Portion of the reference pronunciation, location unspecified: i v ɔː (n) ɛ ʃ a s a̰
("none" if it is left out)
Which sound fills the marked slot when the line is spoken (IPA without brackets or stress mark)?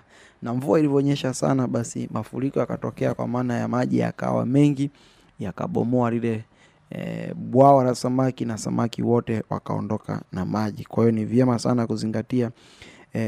ɲ